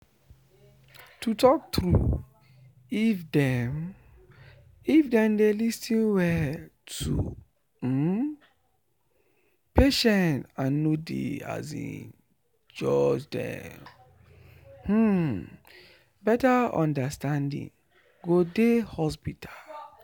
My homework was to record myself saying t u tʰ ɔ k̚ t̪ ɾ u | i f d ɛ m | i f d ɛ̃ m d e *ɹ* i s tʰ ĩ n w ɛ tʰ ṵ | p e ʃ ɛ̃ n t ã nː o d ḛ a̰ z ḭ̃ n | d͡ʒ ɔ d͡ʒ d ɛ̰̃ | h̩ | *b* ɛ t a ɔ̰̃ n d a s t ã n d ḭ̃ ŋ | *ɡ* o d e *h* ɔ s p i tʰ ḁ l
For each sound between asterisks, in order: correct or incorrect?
incorrect, correct, correct, correct

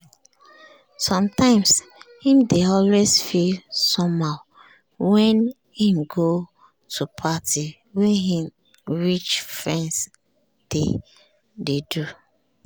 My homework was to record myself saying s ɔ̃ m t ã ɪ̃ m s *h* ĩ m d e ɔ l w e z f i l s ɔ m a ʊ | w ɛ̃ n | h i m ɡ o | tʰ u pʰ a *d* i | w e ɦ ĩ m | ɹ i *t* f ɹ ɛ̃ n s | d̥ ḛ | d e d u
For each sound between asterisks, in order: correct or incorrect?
correct, incorrect, incorrect

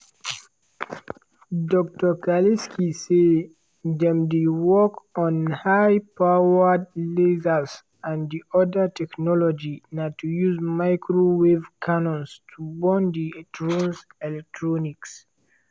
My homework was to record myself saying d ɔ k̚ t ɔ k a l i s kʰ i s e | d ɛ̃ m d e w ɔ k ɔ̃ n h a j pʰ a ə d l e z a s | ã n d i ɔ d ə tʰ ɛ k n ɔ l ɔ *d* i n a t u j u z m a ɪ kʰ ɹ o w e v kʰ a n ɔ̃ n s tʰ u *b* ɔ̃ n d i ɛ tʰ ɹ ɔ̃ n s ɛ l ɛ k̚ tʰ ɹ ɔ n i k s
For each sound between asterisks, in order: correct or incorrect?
incorrect, correct

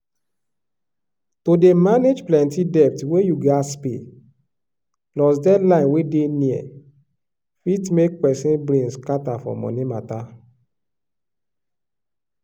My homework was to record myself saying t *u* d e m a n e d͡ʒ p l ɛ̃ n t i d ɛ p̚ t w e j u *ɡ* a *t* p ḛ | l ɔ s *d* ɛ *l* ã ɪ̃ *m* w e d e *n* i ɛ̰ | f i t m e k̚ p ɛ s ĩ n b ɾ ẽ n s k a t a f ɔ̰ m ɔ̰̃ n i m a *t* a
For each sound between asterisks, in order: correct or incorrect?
incorrect, correct, incorrect, correct, correct, incorrect, correct, correct

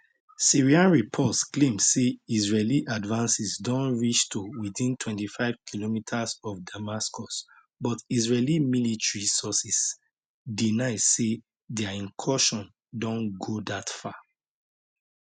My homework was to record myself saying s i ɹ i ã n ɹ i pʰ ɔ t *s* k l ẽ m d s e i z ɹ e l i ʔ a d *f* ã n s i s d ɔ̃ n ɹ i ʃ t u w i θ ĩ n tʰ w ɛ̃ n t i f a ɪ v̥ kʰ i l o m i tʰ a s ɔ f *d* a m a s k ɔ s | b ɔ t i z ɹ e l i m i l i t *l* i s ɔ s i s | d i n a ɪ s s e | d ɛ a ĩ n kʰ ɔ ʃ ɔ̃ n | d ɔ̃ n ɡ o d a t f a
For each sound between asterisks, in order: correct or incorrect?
correct, incorrect, correct, incorrect

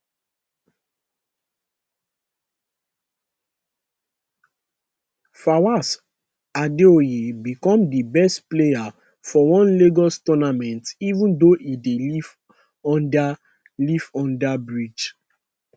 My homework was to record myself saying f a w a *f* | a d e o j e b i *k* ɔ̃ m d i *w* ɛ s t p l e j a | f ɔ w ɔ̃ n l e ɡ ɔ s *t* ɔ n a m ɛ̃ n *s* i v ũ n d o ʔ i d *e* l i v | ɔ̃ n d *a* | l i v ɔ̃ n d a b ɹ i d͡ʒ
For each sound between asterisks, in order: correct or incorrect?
incorrect, correct, incorrect, correct, incorrect, correct, correct

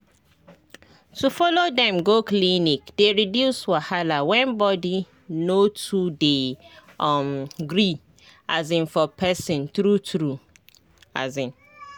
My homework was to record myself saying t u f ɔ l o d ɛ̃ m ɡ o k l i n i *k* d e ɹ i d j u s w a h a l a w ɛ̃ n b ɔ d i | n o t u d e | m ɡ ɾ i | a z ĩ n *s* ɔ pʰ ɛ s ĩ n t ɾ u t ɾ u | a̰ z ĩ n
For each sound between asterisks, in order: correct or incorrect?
correct, incorrect

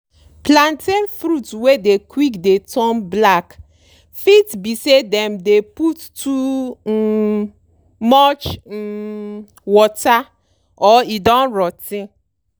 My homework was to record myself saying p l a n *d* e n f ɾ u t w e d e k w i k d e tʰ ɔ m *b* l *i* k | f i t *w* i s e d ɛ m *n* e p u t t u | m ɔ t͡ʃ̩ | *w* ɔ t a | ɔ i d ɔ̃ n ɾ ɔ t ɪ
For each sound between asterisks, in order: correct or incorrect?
incorrect, correct, incorrect, incorrect, incorrect, correct

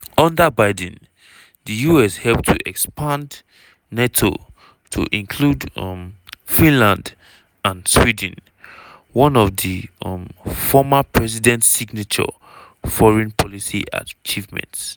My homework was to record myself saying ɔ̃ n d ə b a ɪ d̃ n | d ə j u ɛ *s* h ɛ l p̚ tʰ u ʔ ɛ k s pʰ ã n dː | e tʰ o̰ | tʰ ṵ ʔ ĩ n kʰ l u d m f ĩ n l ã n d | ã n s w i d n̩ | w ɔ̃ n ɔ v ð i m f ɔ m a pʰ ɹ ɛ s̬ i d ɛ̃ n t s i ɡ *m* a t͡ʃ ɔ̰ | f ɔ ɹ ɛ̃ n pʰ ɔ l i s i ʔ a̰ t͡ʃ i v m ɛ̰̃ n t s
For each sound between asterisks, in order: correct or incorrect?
correct, incorrect

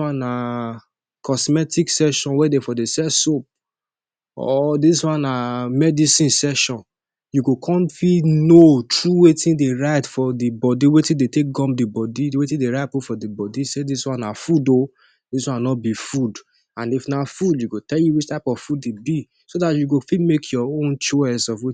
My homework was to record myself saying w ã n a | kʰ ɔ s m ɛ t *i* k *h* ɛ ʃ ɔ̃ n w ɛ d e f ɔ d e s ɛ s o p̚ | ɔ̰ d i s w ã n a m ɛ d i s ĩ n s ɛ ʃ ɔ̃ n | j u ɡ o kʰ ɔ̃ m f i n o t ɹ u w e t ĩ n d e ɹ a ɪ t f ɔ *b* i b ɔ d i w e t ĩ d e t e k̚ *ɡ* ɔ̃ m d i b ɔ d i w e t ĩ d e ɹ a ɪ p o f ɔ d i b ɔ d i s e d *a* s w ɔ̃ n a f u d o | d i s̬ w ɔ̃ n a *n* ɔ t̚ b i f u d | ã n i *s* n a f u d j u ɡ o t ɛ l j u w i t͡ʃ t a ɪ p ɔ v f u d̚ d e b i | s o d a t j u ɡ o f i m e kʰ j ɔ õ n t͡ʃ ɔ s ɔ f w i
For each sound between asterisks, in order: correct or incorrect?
correct, incorrect, incorrect, correct, incorrect, correct, incorrect

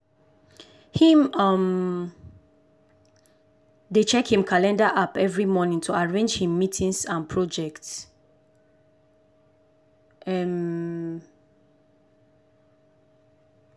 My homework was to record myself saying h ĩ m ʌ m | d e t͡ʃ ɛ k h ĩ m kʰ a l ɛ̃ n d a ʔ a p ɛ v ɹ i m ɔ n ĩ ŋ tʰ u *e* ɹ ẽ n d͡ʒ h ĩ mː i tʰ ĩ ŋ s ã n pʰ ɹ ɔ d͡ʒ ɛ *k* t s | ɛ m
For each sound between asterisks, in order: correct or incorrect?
incorrect, correct

